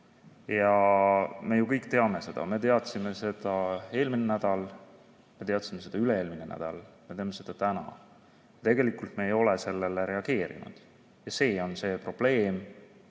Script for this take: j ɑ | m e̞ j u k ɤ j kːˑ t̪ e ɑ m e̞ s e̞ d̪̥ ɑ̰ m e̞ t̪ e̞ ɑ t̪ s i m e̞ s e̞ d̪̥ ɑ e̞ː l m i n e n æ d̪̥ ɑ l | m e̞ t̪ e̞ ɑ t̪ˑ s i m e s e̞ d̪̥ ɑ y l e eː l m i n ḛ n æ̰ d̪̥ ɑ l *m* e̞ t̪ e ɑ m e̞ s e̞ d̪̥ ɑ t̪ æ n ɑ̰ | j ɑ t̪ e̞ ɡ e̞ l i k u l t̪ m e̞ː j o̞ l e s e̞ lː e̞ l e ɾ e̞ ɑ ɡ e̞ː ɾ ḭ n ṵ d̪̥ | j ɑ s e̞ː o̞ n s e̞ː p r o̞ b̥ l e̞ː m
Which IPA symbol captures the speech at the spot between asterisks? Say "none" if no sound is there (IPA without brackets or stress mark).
m